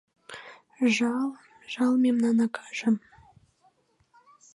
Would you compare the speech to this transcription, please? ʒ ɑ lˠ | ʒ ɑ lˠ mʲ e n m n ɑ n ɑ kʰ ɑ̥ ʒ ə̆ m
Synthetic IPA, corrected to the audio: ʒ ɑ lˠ | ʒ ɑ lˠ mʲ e m n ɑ n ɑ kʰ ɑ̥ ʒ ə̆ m

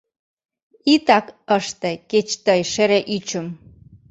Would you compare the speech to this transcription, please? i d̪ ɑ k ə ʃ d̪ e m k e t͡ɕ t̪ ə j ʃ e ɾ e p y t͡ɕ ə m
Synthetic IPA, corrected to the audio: i t̪ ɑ k ə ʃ t̪ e k e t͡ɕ t̪ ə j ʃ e ɾ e ʔ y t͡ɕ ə m

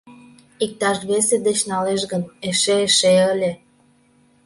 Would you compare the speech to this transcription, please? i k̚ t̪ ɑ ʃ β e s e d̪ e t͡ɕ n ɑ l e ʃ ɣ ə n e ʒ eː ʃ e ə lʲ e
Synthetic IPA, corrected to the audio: i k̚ t̪ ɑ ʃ β e s e d̪ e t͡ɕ n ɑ l e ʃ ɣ ə n e ʃ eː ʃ e ə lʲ e

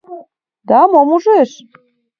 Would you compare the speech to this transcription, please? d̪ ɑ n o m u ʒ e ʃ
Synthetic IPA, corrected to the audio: d̪ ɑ m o m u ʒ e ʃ

